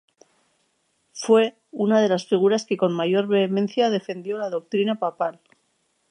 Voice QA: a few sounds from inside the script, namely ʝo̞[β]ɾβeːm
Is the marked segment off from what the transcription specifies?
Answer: yes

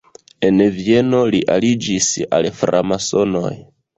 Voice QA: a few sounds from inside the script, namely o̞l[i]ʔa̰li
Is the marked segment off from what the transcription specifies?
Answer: no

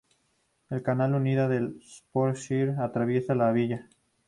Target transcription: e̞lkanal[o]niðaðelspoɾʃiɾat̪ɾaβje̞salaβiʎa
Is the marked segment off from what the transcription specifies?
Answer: yes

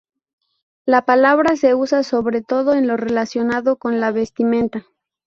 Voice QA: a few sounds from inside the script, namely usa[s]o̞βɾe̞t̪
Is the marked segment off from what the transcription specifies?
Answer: no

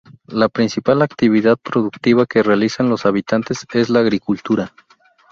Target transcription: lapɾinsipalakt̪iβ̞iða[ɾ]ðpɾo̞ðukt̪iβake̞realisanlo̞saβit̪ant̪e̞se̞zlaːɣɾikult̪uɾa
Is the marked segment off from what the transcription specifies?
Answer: yes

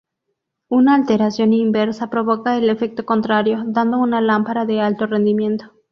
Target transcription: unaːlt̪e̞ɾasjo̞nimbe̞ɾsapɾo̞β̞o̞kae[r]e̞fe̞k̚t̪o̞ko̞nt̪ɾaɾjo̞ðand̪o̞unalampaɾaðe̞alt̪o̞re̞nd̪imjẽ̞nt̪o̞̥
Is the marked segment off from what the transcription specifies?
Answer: yes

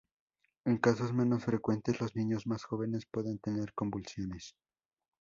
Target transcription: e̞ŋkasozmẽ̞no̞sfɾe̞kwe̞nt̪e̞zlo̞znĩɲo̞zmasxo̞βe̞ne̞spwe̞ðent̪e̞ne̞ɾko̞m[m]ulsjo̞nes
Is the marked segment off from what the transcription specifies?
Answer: yes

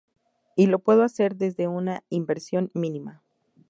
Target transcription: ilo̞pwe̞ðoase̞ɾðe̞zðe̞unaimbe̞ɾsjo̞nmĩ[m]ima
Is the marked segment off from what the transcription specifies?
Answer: yes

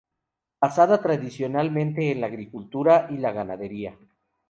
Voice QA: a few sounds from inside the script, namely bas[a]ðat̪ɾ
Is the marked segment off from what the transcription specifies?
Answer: no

